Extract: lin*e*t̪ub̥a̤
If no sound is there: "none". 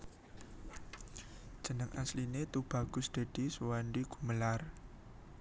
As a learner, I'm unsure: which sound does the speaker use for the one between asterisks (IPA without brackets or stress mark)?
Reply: e